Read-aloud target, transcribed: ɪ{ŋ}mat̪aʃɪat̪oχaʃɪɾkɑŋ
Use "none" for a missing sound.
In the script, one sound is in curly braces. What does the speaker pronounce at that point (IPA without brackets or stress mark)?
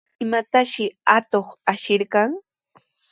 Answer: none